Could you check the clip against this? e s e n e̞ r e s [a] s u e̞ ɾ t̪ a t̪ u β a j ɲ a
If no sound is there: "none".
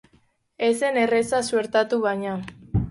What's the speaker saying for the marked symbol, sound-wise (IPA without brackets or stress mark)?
a